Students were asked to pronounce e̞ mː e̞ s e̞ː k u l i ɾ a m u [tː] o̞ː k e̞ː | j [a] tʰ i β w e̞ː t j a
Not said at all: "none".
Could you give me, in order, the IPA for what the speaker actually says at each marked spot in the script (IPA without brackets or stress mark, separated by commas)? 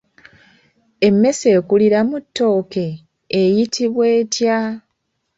tː, i